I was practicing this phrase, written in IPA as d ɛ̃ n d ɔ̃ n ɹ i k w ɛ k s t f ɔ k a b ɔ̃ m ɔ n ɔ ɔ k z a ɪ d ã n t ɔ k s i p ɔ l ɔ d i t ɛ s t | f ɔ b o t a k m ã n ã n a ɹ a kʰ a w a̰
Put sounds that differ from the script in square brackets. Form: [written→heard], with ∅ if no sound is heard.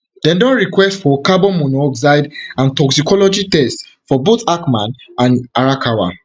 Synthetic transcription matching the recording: d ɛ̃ n d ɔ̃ n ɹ i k w ɛ [k→∅] s t f ɔ k a b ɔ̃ m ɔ n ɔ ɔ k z a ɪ d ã n t ɔ k s i [p→k] ɔ l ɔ [d→d͡ʒ] i t ɛ s t | f ɔ b o t a k m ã n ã n a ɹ a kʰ a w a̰